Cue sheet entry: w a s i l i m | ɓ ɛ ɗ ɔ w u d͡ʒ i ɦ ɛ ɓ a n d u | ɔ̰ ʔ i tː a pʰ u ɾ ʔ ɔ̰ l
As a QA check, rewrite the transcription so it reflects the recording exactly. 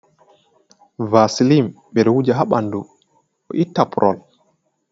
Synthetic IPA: v a s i l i m | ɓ ɛ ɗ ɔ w u d͡ʒ a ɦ a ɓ a n d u | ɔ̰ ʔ i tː a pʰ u ɾ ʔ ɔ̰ l